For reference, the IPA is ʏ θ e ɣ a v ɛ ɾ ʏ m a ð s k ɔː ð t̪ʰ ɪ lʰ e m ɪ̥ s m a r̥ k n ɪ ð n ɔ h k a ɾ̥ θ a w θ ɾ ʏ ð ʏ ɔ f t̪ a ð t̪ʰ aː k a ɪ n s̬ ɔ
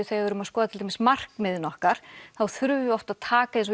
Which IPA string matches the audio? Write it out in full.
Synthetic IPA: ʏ θ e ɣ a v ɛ ɾ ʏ m a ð s k ɔː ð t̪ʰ ɪ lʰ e m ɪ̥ s m a r̥ k m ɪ ð n ɔ h k a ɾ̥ θ a w θ ɾ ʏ v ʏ ɔ f t̪ a ð t̪ʰ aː k a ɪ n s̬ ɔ

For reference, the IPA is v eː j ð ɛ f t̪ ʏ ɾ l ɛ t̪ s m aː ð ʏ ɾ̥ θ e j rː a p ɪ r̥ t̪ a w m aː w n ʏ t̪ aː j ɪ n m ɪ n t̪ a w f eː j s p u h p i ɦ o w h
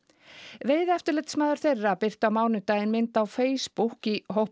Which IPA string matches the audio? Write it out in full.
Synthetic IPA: v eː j ð ɛ f t̪ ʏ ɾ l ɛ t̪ s m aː ð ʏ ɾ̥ θ e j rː a p ɪ r̥ t̪ a w m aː w n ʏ t̪ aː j ɪ n m ɪ n t̪ a w f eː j s p u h k i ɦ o w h

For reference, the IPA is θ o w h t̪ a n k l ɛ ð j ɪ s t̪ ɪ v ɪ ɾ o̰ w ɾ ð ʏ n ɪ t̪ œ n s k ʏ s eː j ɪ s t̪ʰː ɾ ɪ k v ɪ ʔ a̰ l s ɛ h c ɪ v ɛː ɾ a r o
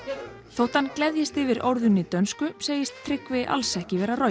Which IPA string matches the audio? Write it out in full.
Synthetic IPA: θ o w h t̪ a n k l ɛ ð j ɪ s t̪ ɪ v ɪ ɾ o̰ w ɾ ð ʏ n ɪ t̪ œ n s k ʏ s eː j ɪ s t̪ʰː ɾ ɪ k v ɪ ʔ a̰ l s ɛ h c ɪ v ɛː ɾ a r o

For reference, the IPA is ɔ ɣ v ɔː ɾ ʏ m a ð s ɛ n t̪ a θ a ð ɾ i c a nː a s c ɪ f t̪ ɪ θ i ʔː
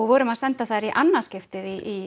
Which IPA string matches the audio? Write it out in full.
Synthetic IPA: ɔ ɣ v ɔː ɾ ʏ m a ð s ɛ n t̪ a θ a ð ɾ i ʔ a nː a s c ɪ f t̪ ɪ ð i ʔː

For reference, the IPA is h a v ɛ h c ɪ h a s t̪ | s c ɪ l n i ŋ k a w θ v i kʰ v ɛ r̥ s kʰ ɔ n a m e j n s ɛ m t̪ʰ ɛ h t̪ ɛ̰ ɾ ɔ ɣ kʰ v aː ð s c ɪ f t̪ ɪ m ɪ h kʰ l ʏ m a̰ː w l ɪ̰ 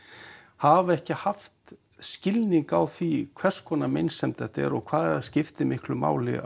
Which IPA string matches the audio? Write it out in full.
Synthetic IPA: h a v ɛ h c ɪ h a f t̪ | s c ɪ l n i ŋ k a w θ v i kʰ v ɛ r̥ s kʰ ɔ n a m e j n s ɛ m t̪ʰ ɛ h t̪ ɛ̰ ɾ ɔ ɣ kʰ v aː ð s c ɪ f t̪ ɪ m ɪ h k l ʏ m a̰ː w l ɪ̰

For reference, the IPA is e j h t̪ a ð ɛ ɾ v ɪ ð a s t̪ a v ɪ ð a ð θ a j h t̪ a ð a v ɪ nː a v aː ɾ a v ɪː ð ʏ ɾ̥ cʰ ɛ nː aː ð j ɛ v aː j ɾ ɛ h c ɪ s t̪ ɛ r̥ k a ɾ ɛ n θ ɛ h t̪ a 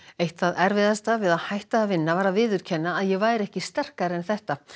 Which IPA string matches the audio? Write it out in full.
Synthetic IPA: e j h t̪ a ð ɛ ɾ v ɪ ð a s t̪ a v ɪ ð a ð h a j h t̪ a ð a v ɪ nː a v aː ɾ a v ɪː ð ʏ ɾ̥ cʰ ɛ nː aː ð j ɛ v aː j ɾ ɛ h c ɪ s t̪ ɛ r̥ k a ɾ ɛ n θ ɛ h t̪ a

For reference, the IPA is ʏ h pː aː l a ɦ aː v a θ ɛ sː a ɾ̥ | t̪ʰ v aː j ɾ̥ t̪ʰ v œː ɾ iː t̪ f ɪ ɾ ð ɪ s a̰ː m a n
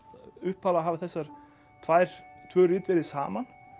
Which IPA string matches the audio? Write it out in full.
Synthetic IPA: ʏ h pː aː l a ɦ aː v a θ ɛ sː a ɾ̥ | t̪ʰ v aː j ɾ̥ t̪ʰ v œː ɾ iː t̪ v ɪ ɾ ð ɪ s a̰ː m a n

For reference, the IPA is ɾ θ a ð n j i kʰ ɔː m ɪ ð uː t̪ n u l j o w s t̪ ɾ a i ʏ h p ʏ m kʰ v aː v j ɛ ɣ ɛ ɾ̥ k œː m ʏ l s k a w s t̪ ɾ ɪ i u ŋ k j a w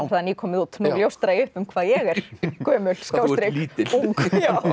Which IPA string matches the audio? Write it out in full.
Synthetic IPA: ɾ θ a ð n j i kʰ ɔː m ɪ ð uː t̪ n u l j o w s t̪ ɾ a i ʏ h p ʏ m kʰ v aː ð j ɛ ɣ ɛ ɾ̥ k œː m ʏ l s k a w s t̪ ɾ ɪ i u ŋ k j a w

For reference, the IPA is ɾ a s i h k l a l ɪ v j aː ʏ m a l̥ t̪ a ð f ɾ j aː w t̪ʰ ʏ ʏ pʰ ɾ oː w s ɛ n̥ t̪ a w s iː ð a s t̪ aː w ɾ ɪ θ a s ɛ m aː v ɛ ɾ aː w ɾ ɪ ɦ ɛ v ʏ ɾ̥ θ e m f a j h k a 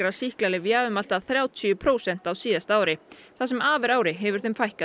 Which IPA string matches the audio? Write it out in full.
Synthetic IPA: ɾ a s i h k l a l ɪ v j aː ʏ m a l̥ t̪ a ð θ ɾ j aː w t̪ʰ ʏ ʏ pʰ ɾ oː w s ɛ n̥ t̪ a w s iː ð a s t̪ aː w ɾ ɪ θ a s ɛ m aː v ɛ ɾ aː w ɾ ɪ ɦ ɛ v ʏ ɾ̥ θ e m f a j h k a

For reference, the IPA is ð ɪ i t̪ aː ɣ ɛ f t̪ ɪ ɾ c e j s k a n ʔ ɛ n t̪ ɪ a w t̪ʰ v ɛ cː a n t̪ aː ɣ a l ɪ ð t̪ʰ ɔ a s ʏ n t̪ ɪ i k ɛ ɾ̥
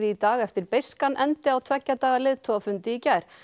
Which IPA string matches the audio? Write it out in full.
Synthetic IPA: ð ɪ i t̪ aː ɣ ɛ f t̪ ɪ ɾ p e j s k a n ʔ ɛ n t̪ ɪ a w t̪ʰ v ɛ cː a t̪ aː ɣ a l ɪ ð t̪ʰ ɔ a f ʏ n t̪ ɪ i c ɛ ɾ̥

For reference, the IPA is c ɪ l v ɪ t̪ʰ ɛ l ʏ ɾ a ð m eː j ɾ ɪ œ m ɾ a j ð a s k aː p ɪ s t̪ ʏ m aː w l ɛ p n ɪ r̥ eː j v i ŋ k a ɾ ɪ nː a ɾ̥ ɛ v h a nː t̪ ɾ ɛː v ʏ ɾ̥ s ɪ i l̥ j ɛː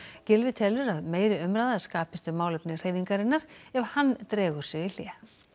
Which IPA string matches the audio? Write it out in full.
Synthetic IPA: c ɪ l v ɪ t̪ʰ ɛ l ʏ ɾ a ð m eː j ɾ ɪ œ m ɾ a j ð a s k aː p ɪ s t̪ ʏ m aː w l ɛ p n ɪ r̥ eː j v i ŋ k a ɾ ɪ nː a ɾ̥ ɛ v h a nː t̪ ɾ ɛː ɣ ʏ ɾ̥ s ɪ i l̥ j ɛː

